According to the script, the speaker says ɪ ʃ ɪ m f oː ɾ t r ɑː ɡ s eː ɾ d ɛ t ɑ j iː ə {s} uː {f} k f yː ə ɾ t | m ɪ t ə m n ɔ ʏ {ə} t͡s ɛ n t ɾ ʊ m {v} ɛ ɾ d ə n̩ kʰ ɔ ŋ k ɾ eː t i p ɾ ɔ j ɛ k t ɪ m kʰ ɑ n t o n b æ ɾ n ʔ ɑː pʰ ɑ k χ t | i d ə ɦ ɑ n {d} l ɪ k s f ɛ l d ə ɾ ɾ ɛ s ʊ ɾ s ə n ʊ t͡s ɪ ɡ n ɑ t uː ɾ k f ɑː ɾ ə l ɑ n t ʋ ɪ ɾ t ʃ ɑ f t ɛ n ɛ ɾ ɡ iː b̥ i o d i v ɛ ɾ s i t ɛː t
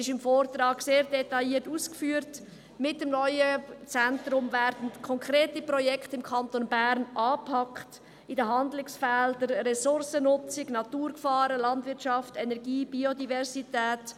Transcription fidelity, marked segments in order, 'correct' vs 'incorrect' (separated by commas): incorrect, incorrect, correct, correct, correct